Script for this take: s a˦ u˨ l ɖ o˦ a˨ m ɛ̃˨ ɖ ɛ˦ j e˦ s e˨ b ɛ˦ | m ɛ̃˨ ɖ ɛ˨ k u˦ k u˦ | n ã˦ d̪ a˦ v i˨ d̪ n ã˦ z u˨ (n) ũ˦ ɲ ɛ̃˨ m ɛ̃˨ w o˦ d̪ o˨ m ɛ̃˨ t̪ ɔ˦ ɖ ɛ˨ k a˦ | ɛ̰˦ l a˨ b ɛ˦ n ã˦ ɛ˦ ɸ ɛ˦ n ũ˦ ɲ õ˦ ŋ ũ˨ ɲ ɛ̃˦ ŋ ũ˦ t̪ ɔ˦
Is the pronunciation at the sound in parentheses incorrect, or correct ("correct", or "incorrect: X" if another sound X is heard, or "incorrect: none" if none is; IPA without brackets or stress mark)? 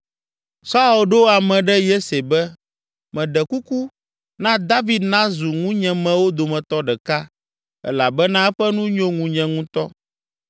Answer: incorrect: ŋ